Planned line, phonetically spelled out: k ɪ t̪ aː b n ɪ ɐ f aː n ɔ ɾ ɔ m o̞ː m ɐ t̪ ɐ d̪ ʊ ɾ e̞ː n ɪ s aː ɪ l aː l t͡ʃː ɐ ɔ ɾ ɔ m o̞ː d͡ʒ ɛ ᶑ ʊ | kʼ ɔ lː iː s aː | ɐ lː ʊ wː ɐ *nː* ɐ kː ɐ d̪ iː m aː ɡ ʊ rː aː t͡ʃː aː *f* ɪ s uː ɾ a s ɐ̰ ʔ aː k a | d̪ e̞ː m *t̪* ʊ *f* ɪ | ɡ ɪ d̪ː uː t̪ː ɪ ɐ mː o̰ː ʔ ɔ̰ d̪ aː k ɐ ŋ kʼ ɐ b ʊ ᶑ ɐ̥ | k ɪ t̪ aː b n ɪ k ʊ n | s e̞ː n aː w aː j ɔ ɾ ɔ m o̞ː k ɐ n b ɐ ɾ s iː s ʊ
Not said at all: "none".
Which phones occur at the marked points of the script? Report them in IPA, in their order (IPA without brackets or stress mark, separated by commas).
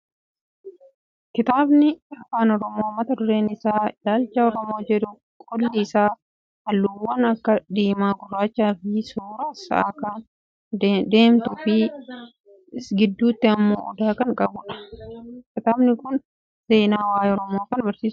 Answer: n, f, t̪, f